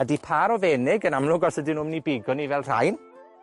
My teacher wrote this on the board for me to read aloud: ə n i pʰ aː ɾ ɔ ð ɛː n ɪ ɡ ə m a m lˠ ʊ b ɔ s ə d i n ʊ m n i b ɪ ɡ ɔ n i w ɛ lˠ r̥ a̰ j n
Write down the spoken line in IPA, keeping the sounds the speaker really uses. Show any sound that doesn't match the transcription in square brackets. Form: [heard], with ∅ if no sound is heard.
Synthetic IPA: ə [d] i pʰ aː ɾ ɔ [v] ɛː n ɪ ɡ ə [n] a m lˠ ʊ [ɡ] ɔ s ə d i n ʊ m n i b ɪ ɡ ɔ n i [v] ɛ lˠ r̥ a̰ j n